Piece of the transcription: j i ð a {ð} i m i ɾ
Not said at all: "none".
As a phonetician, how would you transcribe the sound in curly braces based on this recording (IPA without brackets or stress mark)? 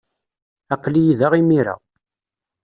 ʁ